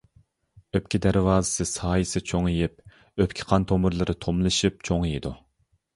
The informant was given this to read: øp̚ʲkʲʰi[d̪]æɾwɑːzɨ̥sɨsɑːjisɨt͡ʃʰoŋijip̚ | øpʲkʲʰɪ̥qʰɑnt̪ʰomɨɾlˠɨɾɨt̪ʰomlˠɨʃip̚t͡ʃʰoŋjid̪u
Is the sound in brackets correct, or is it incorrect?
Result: correct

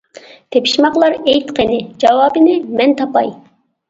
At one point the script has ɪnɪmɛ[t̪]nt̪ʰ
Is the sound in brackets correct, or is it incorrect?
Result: incorrect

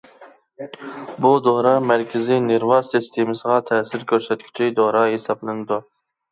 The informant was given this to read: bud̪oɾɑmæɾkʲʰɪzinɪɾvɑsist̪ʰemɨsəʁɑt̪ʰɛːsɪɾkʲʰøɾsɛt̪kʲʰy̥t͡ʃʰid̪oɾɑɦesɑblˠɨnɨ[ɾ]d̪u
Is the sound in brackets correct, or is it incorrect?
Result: incorrect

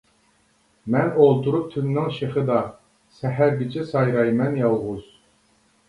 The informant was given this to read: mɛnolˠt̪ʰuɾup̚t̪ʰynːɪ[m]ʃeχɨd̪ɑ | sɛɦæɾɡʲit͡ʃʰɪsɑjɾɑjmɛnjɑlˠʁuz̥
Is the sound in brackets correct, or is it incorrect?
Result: incorrect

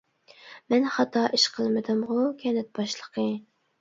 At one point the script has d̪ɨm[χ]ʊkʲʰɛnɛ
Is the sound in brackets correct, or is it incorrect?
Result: incorrect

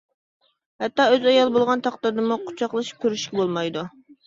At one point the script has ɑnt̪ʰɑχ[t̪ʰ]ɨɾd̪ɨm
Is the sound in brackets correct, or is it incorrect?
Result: incorrect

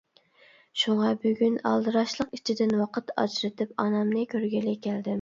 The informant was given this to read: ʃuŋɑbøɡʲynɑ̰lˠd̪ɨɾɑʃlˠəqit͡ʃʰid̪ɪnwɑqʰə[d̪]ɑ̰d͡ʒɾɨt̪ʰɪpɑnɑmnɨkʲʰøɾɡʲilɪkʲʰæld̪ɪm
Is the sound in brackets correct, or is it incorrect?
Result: incorrect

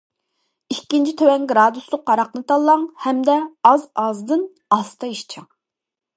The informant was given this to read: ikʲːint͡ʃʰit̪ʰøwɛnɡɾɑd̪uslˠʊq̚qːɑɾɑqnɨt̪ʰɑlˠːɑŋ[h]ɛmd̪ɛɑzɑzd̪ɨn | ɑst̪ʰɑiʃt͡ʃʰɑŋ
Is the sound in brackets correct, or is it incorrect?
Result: correct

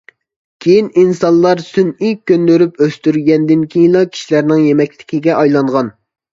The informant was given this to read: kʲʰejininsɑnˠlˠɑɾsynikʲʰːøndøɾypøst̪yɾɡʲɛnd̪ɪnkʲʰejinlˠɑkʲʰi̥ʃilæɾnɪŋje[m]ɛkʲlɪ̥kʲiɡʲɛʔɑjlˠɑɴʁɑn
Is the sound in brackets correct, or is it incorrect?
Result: correct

